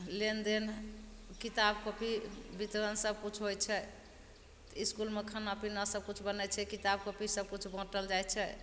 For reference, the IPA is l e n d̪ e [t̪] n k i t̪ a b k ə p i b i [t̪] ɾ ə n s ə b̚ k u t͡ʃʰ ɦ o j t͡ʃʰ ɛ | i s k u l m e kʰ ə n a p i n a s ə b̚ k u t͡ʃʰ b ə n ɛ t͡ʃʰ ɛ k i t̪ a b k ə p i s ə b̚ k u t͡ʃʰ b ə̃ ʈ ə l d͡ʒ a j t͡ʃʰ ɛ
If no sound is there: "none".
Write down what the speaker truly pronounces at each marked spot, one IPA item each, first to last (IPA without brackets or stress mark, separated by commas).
none, t̪